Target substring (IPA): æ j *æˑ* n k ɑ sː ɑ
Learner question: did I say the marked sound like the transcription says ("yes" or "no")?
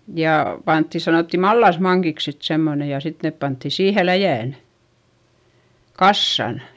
yes